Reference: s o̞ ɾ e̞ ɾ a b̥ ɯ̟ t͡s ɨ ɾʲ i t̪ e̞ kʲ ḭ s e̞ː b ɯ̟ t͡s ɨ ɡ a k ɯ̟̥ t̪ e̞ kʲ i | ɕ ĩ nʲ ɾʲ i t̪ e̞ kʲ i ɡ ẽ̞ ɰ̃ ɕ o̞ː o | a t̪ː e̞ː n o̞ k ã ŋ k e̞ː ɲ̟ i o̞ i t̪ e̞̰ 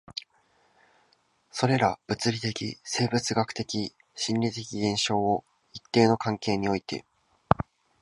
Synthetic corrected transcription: s o̞ ɾ e̞ ɾ a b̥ ɯ̟ t͡s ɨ ɾʲ i t̪ e̞ kʲ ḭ s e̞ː b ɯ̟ t͡s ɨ ɡ a k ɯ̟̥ t̪ e̞ kʲ i | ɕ ĩ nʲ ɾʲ i t̪ e̞ kʲ i ɡ ẽ̞ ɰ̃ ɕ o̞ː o | i t̪ː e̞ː n o̞ k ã ŋ k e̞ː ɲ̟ i o̞ i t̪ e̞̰